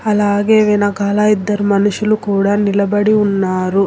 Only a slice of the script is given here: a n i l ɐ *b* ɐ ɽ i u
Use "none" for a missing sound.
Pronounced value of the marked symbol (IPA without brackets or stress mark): b